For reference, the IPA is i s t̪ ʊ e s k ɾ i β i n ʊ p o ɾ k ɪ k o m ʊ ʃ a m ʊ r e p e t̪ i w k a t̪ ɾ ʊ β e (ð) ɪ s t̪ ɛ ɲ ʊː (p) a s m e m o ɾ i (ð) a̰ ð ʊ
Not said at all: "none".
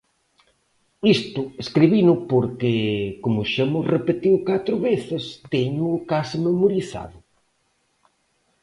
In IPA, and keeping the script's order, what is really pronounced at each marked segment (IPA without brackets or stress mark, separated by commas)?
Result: θ, k, θ